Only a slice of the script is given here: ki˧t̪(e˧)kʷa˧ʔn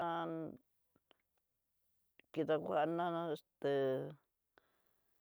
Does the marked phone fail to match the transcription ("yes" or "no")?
yes